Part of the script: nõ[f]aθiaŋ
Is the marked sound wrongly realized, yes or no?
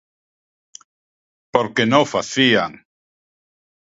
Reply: no